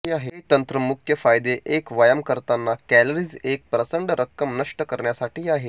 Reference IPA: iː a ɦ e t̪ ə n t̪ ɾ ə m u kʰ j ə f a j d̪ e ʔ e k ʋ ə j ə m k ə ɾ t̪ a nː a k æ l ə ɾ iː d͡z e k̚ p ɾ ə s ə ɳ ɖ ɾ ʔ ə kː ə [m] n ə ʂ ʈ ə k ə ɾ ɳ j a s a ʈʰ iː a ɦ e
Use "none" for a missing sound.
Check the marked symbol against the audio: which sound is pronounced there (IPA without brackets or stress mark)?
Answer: m